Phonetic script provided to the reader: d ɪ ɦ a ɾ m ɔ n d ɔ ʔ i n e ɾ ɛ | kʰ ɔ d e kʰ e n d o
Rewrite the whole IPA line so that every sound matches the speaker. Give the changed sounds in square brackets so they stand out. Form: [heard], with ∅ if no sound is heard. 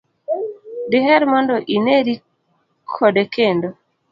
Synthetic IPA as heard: d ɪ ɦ [ɛ] ɾ m ɔ n d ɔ ʔ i n e ɾ [i] | kʰ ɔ d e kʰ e n d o